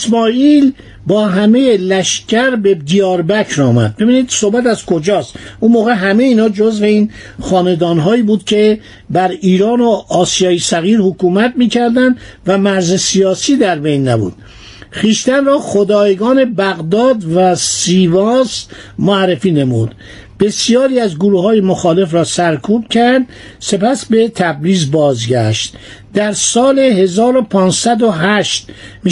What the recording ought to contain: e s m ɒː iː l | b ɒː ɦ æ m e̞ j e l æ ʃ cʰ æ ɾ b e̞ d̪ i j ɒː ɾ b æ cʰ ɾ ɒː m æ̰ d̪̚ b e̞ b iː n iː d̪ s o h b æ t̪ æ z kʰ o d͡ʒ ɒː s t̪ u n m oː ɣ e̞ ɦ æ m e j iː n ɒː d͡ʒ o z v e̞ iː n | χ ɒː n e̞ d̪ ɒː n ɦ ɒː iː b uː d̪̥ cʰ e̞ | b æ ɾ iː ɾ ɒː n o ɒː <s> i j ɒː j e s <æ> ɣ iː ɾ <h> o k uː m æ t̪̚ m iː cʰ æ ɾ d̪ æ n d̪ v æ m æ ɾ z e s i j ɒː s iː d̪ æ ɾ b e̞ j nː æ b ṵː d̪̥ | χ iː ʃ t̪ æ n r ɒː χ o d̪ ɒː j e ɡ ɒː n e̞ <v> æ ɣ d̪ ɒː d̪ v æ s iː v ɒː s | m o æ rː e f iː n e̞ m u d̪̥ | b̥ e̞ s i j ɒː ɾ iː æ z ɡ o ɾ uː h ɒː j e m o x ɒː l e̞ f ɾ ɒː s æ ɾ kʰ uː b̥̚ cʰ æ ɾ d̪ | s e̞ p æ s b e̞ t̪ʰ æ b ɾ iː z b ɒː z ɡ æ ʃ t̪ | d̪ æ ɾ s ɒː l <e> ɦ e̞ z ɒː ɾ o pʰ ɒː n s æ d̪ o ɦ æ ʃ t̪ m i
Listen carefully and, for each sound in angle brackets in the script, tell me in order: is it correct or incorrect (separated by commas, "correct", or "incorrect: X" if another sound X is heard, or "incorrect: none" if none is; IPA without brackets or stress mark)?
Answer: correct, correct, correct, incorrect: b, correct